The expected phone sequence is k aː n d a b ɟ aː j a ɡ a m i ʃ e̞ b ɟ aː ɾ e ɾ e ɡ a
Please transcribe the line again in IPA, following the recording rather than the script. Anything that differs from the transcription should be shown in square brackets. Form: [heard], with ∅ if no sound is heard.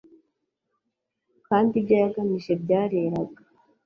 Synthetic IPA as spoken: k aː n d [i] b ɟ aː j a ɡ a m i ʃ e̞ b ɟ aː ɾ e ɾ [a] ɡ a